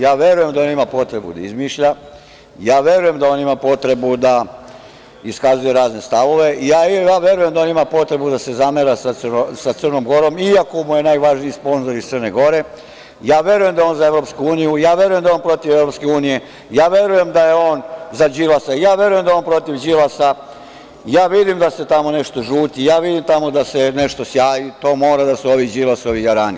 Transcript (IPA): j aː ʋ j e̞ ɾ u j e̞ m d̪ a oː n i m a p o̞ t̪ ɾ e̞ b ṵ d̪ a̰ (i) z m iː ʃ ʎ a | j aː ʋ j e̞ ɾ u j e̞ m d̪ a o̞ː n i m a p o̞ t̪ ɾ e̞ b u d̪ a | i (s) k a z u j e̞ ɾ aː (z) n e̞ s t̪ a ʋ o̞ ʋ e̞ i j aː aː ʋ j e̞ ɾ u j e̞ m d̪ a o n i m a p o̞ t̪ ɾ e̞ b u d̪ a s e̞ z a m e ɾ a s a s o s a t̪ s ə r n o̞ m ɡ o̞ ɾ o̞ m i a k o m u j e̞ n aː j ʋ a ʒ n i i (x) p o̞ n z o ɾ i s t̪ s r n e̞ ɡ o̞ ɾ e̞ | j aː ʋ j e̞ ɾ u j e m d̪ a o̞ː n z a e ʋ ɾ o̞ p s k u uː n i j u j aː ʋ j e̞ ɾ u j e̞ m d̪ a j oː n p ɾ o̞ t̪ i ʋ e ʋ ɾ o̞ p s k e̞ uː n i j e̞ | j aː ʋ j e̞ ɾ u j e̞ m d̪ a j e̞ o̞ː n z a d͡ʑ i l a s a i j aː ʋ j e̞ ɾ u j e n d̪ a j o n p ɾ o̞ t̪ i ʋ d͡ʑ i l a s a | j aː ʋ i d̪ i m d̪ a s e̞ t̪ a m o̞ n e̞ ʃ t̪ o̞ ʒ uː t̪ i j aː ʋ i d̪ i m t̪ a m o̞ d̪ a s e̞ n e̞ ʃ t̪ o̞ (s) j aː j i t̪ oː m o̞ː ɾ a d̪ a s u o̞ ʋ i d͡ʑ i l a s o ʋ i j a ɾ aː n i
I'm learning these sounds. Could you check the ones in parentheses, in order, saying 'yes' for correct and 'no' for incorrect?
yes, yes, yes, no, yes

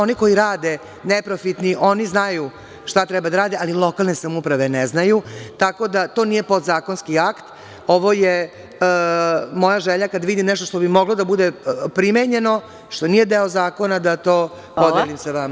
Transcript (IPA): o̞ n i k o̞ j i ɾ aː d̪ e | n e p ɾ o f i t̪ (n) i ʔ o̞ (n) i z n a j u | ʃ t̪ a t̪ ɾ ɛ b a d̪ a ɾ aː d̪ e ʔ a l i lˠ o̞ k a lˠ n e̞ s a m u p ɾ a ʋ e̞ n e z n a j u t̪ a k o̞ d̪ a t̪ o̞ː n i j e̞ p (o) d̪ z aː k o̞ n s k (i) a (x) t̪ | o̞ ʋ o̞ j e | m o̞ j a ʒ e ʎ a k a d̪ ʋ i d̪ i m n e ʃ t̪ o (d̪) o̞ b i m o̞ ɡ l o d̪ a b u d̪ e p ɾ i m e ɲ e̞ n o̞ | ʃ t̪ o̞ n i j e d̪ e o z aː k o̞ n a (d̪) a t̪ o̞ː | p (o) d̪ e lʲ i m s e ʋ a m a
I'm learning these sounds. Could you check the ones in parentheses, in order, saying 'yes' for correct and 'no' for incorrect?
yes, yes, yes, yes, no, no, yes, yes

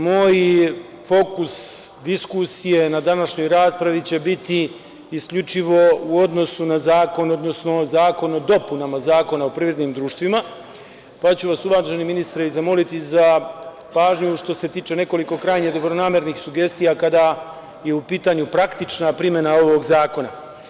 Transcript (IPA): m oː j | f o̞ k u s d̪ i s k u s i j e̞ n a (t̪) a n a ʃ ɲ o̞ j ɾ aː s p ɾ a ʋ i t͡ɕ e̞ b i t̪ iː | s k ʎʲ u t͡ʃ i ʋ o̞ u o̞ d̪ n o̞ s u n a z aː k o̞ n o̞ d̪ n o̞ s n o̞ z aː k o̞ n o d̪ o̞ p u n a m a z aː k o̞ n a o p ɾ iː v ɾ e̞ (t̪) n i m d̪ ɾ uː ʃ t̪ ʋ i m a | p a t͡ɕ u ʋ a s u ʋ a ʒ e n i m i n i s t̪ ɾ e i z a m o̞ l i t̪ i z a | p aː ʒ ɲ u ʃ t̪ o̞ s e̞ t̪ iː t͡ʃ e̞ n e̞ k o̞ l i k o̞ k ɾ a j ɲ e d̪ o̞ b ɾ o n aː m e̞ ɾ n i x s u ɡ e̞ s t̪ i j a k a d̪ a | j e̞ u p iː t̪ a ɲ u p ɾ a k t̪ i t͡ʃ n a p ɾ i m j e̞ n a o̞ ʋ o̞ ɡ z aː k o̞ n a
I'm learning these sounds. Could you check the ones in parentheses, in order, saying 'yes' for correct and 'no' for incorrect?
no, no

